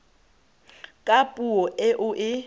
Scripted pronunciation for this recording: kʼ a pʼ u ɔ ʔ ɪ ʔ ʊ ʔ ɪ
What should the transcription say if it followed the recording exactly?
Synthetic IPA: kʼ a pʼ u ɔ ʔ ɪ ʔ ʊ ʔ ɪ